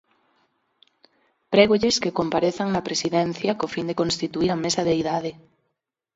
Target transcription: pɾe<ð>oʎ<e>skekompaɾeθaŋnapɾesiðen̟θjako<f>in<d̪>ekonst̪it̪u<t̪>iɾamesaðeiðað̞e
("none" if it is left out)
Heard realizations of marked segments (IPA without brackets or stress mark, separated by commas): ɣ, e, f, d̪, none